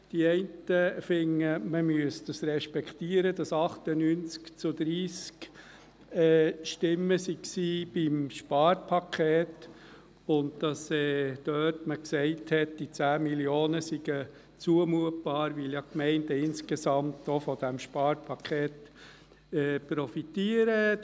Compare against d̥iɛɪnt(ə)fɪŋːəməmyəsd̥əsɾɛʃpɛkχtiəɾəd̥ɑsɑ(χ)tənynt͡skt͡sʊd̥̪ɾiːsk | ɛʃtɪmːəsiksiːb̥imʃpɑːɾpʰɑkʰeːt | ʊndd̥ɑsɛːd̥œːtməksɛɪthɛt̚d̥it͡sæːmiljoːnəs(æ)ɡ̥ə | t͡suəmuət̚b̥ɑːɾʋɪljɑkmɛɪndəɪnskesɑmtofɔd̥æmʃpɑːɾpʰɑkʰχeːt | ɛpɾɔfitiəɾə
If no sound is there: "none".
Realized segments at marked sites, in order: ə, χ, i

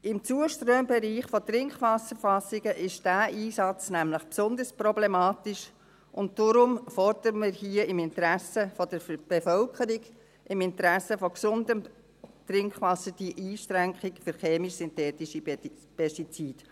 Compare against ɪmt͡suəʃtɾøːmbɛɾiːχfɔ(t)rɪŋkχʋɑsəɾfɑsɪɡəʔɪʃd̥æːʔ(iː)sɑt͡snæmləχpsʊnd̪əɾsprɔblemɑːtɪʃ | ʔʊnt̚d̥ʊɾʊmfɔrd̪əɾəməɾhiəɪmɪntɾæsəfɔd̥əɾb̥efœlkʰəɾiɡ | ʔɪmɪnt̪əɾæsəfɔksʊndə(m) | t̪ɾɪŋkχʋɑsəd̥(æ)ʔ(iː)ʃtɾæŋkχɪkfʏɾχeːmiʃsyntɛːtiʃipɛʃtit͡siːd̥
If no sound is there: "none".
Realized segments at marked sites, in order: t, iː, m, i, iː

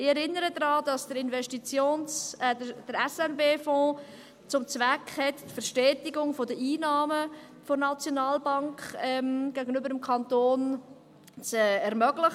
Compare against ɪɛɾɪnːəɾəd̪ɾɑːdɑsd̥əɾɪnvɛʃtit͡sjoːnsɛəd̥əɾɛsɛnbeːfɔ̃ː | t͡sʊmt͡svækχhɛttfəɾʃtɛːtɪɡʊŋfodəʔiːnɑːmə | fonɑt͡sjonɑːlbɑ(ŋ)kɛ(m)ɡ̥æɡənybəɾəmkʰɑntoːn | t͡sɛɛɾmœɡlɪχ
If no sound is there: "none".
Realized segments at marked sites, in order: ŋ, m

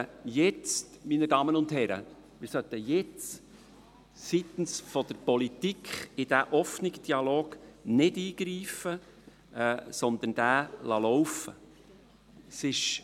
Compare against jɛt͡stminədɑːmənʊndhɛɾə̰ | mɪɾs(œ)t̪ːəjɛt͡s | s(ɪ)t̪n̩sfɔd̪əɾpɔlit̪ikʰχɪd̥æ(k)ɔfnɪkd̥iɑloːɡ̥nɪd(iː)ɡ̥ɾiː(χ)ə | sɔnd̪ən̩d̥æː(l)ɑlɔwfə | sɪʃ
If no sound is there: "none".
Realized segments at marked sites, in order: œ, i, ʔ, iː, f, l

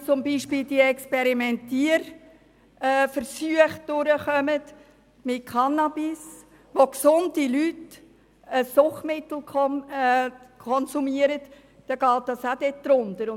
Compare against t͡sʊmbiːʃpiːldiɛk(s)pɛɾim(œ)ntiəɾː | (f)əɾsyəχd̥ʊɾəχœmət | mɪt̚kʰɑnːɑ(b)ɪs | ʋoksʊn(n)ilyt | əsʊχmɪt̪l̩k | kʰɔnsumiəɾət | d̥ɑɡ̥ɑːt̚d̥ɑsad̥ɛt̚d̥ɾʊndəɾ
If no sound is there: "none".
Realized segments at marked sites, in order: s, ɛ, f, b, d

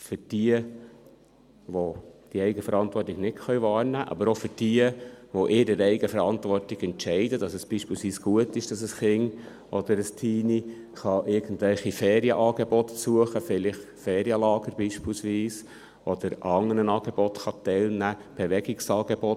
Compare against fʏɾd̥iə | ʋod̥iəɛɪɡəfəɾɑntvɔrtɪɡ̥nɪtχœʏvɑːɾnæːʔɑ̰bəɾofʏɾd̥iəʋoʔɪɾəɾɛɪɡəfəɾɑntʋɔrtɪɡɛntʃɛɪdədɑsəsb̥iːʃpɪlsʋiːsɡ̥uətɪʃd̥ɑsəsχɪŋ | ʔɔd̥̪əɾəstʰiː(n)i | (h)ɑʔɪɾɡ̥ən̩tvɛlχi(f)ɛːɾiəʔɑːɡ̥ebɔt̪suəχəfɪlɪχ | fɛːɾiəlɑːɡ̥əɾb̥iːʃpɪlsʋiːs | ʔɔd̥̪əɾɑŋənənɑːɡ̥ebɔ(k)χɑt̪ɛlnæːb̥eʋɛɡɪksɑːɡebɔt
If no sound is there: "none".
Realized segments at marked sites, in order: n, χ, f, t

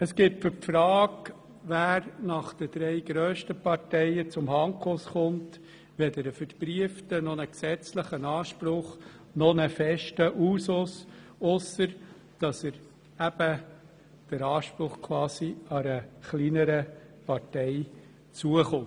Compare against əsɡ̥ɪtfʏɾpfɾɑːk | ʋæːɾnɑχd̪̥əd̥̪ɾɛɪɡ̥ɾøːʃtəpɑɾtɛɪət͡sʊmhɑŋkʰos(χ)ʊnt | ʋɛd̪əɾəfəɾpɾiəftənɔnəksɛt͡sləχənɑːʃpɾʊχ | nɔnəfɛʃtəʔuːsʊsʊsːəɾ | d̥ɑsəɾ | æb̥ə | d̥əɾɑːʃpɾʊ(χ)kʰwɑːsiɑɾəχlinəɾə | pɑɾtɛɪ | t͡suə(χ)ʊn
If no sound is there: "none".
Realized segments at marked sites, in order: χ, χ, χ

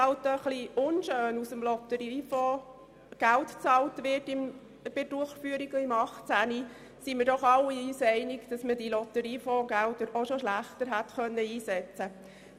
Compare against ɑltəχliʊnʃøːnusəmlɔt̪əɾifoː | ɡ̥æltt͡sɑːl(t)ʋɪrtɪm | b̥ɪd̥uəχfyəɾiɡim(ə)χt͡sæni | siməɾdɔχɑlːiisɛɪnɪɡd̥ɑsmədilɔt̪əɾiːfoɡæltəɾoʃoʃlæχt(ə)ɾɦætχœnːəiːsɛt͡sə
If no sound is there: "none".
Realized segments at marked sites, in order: t, ɑ, ə

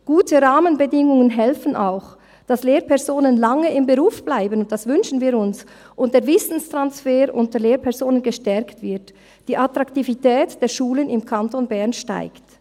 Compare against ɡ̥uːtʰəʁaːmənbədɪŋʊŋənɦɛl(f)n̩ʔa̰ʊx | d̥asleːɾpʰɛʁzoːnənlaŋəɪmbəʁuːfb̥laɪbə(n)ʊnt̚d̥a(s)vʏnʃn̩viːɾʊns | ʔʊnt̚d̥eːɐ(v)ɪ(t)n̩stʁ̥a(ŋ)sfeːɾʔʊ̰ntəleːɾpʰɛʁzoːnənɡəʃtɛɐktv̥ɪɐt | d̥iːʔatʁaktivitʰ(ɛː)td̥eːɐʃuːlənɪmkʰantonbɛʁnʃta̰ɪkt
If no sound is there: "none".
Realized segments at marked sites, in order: f, n, s, v, s, n, ɛː

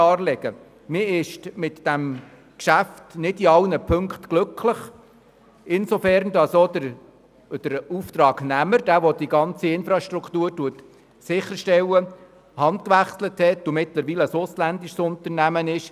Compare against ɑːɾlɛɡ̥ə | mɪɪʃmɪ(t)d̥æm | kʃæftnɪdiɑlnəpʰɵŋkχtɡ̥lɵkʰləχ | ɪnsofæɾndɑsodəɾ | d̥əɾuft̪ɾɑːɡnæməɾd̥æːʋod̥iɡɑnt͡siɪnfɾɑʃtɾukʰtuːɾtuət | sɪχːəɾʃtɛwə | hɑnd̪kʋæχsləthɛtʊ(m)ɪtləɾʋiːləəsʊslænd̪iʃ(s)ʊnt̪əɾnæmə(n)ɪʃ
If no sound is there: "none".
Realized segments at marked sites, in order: t, m, s, n

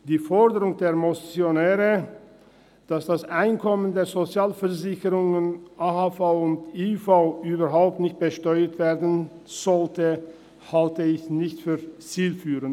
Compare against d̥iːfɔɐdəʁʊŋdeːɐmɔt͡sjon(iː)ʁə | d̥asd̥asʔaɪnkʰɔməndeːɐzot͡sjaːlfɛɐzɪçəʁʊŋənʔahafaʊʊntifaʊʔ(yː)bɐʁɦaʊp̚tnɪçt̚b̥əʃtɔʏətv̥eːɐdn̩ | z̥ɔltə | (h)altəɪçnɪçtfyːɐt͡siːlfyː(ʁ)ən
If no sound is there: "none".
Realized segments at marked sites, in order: ɛː, yː, h, ʁ

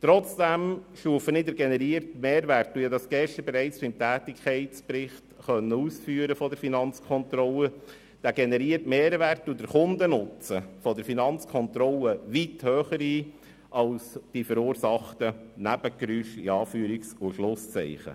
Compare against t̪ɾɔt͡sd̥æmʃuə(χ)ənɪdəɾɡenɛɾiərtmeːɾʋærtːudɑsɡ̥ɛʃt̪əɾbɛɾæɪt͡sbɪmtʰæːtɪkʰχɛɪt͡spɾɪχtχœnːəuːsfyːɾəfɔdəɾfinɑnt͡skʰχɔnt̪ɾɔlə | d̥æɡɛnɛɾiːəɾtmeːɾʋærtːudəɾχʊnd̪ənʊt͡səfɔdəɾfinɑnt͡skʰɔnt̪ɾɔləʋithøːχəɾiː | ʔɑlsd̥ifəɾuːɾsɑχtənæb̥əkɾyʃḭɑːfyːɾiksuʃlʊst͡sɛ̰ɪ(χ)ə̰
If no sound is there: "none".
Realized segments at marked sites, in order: f, χ

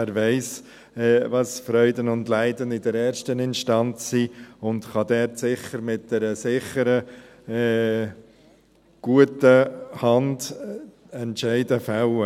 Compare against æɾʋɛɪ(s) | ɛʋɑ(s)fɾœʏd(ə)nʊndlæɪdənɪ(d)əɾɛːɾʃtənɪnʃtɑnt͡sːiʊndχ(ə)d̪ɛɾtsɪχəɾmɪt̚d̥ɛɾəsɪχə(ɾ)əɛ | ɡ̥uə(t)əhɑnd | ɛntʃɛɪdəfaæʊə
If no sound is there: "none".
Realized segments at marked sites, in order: s, s, ə, d, ɑ, ɾ, t

